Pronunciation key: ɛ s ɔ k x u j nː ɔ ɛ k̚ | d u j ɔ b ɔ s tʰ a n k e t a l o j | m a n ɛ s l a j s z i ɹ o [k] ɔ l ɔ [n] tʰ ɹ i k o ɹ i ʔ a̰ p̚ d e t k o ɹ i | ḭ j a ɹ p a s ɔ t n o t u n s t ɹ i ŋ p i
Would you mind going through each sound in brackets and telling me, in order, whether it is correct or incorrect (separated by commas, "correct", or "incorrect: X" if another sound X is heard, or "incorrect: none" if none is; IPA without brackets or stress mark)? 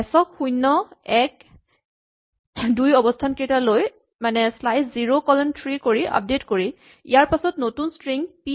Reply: correct, correct